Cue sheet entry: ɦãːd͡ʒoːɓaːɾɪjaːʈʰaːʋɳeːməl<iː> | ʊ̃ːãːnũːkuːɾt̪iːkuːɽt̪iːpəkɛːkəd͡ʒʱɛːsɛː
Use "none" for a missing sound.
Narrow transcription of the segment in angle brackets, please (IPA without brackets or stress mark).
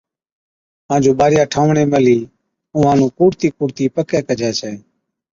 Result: iː